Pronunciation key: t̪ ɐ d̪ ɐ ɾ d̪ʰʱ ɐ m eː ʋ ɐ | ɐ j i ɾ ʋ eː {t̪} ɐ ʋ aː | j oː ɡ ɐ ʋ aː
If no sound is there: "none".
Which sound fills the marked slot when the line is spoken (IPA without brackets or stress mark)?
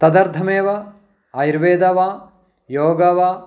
d̪